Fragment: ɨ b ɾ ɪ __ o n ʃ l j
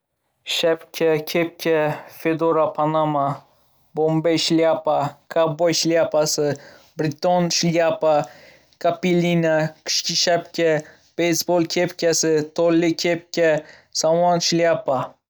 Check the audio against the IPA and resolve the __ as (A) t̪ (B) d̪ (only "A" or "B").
A